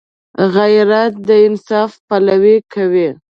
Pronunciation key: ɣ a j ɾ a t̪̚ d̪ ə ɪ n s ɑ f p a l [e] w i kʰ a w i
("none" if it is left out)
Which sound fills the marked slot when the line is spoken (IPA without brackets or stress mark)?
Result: a